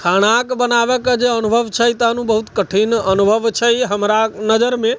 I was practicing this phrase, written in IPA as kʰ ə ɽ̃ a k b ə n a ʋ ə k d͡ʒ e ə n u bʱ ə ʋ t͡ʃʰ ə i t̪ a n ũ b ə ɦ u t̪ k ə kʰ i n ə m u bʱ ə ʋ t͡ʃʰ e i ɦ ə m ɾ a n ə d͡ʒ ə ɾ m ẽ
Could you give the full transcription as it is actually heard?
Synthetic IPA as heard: kʰ a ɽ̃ a k b ə n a ʋ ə k d͡ʒ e ə n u bʱ ə ʋ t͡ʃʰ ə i t̪ a n ũ b ə ɦ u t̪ k ə ʈʰ i n ə n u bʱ ə ʋ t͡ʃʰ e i ɦ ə m ɾ a n ə d͡ʒ ə ɾ m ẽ

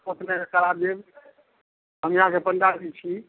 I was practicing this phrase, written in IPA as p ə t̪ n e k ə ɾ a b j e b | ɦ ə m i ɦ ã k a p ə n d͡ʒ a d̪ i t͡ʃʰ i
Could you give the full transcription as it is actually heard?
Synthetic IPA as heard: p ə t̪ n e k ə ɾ a b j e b | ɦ ə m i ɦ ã k e p ə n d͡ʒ a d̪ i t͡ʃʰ i

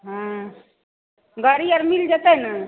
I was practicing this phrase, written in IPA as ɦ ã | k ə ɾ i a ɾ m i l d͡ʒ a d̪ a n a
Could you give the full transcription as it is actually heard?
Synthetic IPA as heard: ɦ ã | ɡ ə ɾ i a ɾ m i l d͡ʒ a t̪ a n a

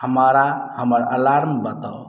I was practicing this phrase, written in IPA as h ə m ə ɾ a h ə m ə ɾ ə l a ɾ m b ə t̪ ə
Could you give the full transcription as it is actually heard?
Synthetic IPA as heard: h ə m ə ɾ a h ə m ə ɾ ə l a ɾ m b ə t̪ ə

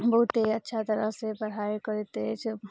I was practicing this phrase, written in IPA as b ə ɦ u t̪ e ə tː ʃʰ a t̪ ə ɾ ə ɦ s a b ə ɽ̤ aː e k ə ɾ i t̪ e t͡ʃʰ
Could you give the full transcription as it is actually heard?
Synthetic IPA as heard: b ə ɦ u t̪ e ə tː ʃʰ a t̪ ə ɾ ə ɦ s e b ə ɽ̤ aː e k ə ɾ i t̪ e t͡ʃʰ

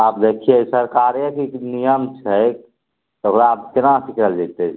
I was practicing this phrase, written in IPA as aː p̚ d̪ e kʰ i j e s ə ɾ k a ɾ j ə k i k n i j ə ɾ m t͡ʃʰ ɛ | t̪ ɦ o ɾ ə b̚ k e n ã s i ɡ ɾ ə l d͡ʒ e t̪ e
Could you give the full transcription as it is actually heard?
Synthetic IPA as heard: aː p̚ d̪ e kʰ i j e s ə ɾ k a ɾ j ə k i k n i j ə m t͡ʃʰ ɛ | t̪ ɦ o ɾ a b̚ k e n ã s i k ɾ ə l d͡ʒ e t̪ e

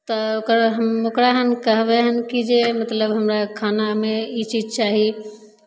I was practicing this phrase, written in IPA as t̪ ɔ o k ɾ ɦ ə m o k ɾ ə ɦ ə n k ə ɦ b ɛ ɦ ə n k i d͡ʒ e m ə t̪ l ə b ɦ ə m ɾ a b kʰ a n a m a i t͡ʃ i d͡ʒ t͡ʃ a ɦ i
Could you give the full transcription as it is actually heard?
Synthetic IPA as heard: t̪ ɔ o k ɾ ɦ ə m o k ɾ a ɦ ə n k ə ɦ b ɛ ɦ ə n k i d͡ʒ e m ə t̪ l ə b ɦ ə m ɾ a kʰ a n a m e i t͡ʃ i d͡ʒ t͡ʃ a ɦ i

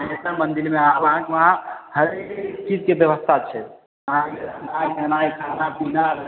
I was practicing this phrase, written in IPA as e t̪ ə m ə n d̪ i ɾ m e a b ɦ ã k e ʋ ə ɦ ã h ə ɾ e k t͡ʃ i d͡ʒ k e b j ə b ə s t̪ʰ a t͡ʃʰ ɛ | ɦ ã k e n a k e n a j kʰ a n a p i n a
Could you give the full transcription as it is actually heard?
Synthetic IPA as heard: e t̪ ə m ə n d̪ i ɾ m e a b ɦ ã k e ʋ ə ɦ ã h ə ɾ e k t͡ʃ i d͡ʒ k e b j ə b ə s t̪ʰ a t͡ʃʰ ɛ | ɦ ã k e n a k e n a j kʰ a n a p i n a

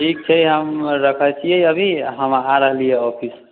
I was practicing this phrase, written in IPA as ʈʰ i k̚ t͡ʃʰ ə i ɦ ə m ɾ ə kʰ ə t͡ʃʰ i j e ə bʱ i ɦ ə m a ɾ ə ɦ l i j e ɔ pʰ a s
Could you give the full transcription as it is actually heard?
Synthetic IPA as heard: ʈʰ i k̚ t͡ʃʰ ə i ɦ ə m ɾ ə kʰ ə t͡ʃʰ i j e ə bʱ i ɦ ə m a ɾ ə ɦ l i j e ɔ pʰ i s

